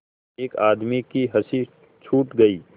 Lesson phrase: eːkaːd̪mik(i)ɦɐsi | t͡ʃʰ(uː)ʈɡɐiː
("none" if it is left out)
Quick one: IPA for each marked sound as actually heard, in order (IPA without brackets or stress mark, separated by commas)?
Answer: i, uː